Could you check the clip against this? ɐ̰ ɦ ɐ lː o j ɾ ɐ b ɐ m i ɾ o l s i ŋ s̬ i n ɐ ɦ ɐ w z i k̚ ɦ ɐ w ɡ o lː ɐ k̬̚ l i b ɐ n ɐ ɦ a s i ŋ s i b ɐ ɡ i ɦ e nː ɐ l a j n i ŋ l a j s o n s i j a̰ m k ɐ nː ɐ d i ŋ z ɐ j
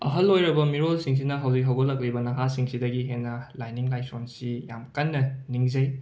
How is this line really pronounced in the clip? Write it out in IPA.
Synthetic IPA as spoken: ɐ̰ ɦ ɐ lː o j ɾ ɐ b ɐ m i ɾ o l s i ŋ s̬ i n ɐ ɦ ɐ w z i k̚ ɦ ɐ w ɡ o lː ɐ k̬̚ l i b ɐ n ɐ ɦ a s i ŋ s i d ɐ ɡ i ɦ e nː ɐ l a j n i ŋ l a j s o n s i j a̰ m k ɐ nː ɐ n i ŋ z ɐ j

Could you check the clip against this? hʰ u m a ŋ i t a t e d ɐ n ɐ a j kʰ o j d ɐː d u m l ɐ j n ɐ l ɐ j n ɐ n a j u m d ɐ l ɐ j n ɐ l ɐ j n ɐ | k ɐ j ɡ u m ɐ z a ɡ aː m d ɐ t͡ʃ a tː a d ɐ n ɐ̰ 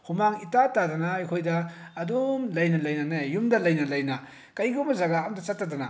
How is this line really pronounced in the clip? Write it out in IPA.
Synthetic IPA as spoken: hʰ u m a ŋ i t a t a d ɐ n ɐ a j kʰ o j d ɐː d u m l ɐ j n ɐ l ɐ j n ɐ n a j u m d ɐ l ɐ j n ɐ l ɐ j n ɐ | k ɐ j ɡ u m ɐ z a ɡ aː m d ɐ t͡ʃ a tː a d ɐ n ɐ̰

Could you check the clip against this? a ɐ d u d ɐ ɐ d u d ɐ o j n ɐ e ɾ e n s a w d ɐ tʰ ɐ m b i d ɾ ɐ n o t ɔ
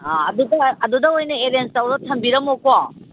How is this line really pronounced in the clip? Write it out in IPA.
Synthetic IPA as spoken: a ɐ d u d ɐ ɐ d u d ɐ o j n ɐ e ɾ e n s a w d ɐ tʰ ɐ m b i ɾ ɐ m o k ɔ

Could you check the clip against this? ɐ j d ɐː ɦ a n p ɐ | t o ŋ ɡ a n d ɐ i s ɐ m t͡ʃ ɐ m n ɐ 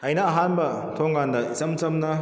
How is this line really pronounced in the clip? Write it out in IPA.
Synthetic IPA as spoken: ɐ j n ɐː ɦ a n b ɐ | tʰ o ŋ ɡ a n d ɐ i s ɐ m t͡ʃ ɐ m n ɐ

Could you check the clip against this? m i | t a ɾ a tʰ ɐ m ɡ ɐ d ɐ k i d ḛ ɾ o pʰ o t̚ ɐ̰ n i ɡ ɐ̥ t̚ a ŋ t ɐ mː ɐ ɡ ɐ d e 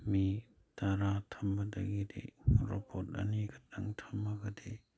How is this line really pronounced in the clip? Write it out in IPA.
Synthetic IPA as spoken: m i | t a ɾ a tʰ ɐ m b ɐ d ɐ ɡ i d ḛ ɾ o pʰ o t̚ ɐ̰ n i ɡ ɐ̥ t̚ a ŋ tʰ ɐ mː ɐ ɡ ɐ d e

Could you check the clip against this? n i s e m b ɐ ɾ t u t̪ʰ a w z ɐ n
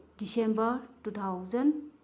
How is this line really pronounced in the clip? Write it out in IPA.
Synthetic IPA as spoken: d i s e m b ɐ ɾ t u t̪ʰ a w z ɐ n

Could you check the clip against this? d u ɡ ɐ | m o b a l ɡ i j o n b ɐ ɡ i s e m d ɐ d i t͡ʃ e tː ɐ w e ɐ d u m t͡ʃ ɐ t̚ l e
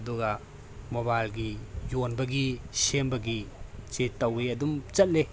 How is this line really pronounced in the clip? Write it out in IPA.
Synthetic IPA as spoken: d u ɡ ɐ | m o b a l ɡ i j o n b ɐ ɡ i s e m b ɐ ɡ i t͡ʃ e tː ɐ w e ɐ d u m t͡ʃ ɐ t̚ l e

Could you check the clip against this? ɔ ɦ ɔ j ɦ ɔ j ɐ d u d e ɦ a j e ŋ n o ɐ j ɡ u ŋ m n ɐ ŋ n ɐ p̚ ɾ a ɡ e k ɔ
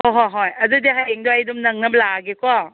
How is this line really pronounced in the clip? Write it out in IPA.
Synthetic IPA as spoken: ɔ ɦ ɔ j ɦ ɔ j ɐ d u d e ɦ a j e ŋ d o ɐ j d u m n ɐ ŋ n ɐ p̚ l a ɡ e k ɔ

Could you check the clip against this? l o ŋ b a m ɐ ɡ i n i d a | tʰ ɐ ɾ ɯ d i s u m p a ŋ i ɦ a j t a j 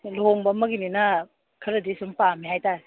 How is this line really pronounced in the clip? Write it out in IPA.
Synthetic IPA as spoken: l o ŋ b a m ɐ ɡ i n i n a | kʰ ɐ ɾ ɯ d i s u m p a m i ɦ a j t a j

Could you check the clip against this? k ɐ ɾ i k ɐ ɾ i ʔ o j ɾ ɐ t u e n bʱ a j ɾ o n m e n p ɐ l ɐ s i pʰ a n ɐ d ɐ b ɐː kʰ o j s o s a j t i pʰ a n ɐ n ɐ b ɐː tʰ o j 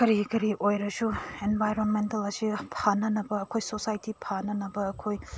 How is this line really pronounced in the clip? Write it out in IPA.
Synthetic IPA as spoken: k ɐ ɾ i k ɐ ɾ i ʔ o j ɾ ɐ s u e n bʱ a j ɾ o n m e n t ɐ l ɐ s i pʰ a n ɐ n ɐ b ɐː kʰ o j s o s a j t i pʰ a n ɐ n ɐ b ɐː kʰ o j

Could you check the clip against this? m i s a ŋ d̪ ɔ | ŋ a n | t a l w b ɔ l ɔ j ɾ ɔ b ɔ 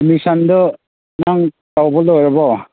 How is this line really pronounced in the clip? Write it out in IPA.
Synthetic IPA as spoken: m i s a n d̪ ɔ | n a ŋ | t a w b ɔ l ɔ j ɾ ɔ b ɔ

